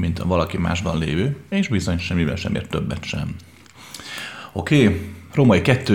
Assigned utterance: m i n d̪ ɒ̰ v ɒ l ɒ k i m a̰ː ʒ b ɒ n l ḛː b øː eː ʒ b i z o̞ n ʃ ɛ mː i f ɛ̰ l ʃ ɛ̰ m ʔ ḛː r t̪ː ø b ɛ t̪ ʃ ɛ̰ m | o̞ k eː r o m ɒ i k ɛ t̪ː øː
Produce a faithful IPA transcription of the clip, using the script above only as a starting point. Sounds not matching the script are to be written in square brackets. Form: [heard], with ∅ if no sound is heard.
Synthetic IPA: m i n [t̪] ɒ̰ v ɒ l ɒ k i m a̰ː ʒ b ɒ n l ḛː [v] øː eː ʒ b i z o̞ [ɲ] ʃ ɛ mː i [v] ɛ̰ l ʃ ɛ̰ m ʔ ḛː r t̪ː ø [bː] ɛ t̪ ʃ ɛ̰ m | o̞ k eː r o m ɒ i k ɛ t̪ː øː